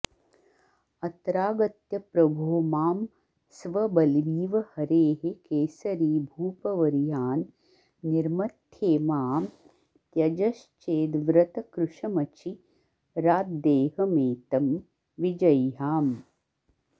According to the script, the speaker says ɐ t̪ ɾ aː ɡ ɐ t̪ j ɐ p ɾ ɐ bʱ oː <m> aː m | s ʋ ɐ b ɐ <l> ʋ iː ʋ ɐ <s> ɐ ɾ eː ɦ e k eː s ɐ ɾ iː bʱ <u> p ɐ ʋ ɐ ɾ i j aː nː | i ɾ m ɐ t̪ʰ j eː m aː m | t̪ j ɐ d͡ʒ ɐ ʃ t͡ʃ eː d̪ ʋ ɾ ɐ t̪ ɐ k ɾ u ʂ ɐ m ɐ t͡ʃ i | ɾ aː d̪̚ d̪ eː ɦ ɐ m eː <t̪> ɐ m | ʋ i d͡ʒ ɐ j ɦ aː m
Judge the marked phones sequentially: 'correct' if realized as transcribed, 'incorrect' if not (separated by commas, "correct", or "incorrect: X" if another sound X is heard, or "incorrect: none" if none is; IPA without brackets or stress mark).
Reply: correct, correct, incorrect: h, incorrect: uː, correct